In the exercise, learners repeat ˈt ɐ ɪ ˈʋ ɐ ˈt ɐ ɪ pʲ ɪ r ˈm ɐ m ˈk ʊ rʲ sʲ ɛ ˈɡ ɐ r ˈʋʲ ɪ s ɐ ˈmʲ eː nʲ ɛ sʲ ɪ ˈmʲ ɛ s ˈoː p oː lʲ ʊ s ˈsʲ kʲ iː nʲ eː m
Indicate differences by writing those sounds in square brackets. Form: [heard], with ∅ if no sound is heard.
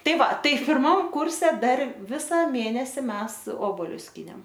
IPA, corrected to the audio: ˈt ɐ ɪ ˈʋ ɐ ˈt ɐ ɪ pʲ ɪ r ˈm ɐ m ˈk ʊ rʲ sʲ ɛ [ˈd] ɐ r ˈʋʲ ɪ s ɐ ˈmʲ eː nʲ ɛ sʲ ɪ ˈmʲ ɛ s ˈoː [b] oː lʲ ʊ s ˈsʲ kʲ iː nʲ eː m